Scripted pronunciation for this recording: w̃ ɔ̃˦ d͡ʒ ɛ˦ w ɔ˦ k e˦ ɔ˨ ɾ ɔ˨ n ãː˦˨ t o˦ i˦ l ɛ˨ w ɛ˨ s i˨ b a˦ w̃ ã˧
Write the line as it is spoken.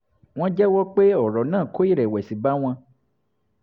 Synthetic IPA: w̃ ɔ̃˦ d͡ʒ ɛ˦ w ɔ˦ k͡p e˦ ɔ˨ ɾ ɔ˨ n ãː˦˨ k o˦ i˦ ɾ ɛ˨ w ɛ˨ s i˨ b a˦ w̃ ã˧